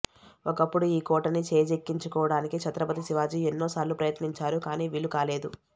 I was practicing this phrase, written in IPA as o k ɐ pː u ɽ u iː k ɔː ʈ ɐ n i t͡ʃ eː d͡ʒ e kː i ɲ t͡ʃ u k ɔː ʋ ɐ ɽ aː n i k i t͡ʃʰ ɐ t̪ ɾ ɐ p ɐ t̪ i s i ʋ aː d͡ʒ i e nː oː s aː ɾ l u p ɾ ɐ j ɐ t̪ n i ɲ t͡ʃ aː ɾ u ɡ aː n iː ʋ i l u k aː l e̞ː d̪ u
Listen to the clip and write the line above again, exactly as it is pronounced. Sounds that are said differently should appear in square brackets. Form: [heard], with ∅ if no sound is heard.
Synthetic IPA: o k ɐ pː u ɽ u iː k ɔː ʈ ɐ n i t͡ʃ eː d͡ʒ e kː i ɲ t͡ʃ u k ɔː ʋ ɐ ɽ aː n i k i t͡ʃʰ ɐ t̪ ɾ ɐ p ɐ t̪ i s i ʋ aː d͡ʒ i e nː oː s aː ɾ l u p ɾ ɐ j ɐ t̪ n i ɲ t͡ʃ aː ɾ u [k] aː n iː ʋ i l u k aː l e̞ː d̪ u